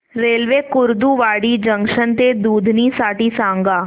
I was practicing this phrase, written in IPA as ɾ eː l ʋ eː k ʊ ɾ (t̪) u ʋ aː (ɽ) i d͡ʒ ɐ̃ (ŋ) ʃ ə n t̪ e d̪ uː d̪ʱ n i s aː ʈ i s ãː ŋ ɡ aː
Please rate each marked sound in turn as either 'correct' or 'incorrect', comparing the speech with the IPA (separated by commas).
incorrect, correct, correct